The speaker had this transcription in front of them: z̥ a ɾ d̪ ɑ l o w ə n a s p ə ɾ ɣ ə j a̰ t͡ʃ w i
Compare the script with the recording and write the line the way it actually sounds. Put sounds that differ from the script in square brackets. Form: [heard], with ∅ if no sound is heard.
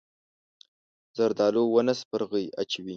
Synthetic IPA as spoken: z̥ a ɾ d̪ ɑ l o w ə n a s p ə ɾ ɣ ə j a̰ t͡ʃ w i